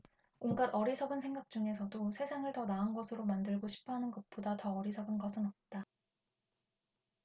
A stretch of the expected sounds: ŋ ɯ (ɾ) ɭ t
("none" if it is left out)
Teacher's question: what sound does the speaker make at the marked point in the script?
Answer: none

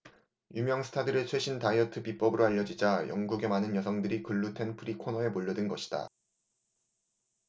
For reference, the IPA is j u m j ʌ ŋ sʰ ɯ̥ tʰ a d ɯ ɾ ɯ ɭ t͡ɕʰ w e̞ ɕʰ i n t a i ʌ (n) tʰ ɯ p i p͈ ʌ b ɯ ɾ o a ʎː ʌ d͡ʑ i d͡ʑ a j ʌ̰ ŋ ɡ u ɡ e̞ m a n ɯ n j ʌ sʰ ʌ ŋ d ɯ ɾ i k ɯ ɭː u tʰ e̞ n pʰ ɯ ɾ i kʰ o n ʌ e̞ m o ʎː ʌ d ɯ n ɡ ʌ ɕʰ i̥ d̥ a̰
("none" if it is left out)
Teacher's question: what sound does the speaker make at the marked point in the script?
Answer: none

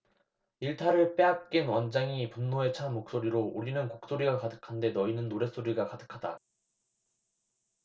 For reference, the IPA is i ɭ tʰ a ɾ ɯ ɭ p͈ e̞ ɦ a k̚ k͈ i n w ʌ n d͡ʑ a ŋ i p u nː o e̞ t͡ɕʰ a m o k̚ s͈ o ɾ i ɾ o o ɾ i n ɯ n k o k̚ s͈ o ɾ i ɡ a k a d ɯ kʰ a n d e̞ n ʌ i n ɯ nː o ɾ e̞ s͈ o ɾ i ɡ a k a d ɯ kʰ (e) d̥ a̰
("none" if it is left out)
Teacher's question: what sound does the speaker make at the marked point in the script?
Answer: a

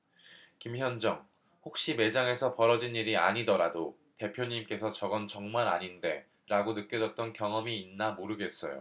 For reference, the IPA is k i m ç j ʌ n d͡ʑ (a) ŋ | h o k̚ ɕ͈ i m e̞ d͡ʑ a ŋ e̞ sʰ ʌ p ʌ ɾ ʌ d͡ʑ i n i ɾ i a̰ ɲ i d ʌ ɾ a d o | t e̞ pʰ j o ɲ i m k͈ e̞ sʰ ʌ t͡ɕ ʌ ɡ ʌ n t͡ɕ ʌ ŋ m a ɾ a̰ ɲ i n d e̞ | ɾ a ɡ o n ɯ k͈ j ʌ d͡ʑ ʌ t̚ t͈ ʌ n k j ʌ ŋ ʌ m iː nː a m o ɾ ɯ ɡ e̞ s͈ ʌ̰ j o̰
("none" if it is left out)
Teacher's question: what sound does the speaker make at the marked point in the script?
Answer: ʌ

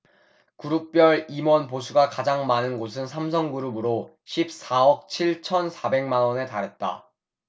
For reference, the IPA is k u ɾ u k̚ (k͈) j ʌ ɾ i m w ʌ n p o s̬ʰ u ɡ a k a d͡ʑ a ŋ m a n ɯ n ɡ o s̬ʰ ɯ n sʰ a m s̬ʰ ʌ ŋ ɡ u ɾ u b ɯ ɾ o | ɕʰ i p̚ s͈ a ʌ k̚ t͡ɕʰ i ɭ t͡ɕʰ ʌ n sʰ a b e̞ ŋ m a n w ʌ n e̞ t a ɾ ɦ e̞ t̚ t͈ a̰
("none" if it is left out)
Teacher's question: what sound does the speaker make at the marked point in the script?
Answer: p͈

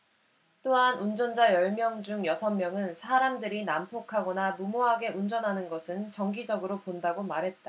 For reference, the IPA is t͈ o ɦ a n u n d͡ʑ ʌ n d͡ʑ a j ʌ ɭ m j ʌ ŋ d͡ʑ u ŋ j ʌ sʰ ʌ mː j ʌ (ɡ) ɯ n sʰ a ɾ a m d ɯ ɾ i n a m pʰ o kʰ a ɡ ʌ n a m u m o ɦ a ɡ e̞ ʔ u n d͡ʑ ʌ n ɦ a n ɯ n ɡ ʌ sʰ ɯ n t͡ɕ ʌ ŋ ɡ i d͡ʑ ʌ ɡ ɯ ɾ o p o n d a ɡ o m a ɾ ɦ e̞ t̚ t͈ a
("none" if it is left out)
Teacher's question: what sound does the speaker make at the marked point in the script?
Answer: ŋ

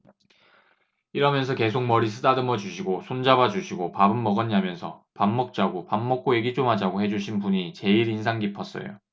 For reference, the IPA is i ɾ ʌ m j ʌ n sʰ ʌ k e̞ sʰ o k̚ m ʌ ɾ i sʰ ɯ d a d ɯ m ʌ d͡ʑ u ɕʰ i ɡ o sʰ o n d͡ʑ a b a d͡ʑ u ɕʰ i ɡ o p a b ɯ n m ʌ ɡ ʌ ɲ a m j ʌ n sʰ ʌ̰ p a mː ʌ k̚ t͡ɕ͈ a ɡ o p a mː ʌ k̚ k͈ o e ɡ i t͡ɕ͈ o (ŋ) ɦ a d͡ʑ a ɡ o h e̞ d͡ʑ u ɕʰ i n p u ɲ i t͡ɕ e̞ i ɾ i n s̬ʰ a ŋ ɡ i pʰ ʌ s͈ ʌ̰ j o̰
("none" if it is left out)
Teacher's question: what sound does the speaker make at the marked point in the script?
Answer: m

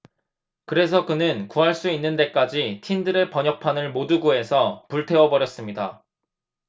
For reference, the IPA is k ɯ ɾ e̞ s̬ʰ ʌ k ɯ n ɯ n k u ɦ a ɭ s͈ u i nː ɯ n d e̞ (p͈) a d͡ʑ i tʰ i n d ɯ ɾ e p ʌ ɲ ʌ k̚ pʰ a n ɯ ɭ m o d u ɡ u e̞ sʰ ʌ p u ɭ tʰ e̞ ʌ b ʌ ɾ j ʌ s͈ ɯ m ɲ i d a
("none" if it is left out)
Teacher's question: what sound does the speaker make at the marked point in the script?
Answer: k͈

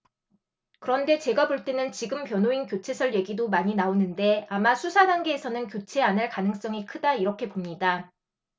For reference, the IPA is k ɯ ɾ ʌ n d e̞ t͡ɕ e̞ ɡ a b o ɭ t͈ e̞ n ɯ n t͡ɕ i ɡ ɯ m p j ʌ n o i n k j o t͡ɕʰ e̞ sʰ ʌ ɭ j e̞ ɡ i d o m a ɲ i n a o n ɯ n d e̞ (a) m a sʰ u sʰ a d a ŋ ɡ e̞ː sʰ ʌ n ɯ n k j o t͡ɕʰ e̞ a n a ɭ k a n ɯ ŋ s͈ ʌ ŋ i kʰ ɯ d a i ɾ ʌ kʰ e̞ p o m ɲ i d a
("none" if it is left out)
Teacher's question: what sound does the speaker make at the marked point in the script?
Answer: a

